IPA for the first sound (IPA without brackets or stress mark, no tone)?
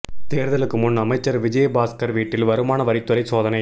t̪